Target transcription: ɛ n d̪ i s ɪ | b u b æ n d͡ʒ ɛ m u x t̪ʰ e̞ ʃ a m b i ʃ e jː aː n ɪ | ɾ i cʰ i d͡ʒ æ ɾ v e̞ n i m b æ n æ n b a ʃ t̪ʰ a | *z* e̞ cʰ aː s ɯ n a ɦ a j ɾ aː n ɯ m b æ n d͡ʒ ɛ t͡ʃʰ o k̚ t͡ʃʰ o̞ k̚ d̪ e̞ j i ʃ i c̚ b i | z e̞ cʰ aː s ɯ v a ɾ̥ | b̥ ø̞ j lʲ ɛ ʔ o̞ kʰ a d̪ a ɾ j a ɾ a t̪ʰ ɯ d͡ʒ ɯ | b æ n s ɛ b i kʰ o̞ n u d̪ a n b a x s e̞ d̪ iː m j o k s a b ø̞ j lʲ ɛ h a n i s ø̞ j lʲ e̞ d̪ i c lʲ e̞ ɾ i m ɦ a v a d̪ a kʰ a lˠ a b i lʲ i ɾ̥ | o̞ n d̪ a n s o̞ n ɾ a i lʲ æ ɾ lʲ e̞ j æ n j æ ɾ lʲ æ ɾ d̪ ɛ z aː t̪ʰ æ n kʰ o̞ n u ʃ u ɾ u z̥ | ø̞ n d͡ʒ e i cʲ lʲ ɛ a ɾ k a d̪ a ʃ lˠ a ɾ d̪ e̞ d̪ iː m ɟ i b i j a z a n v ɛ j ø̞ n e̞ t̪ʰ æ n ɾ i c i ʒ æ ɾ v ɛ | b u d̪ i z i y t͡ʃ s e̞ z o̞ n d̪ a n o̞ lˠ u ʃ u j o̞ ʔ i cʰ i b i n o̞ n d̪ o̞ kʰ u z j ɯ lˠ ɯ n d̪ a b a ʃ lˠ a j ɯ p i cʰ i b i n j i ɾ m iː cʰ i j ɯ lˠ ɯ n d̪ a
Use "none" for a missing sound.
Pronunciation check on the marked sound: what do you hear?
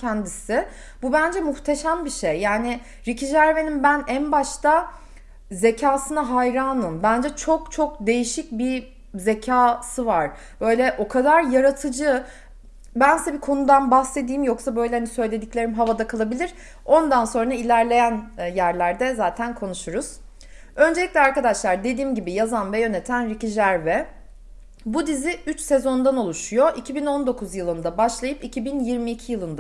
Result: z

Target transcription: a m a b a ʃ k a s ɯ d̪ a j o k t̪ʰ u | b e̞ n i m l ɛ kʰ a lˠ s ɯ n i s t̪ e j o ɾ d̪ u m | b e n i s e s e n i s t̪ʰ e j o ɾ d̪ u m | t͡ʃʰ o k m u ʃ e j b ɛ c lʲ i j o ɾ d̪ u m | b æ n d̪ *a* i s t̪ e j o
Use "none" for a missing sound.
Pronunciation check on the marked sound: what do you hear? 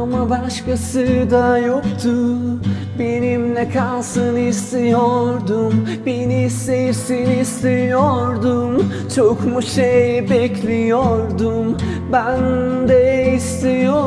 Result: ɛ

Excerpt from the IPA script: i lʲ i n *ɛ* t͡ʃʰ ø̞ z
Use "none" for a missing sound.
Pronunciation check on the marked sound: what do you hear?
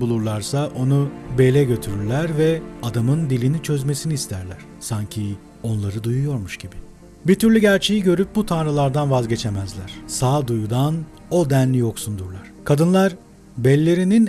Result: i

